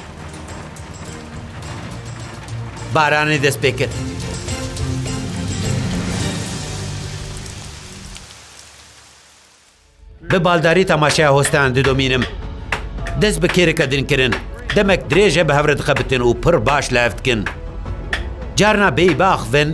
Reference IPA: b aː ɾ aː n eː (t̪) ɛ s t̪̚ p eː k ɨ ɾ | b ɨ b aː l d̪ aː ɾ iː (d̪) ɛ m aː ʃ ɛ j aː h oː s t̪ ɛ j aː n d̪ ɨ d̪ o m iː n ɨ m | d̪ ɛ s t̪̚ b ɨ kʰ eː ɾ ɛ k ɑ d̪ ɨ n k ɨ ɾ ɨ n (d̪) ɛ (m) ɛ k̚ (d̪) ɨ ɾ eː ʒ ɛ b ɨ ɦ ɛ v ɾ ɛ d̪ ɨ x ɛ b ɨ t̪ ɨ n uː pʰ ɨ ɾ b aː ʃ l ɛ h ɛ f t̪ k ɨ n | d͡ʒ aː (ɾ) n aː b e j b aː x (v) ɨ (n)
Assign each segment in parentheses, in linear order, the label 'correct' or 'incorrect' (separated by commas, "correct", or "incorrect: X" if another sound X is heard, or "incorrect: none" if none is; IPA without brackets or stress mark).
incorrect: d̪, incorrect: t̪, correct, correct, correct, correct, correct, correct